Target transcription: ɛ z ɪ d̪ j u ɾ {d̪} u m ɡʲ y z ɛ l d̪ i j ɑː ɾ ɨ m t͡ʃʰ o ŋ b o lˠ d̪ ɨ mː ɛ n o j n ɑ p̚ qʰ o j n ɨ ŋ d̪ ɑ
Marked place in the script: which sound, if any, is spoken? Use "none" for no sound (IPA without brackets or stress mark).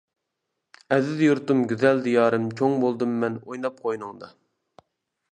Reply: t̪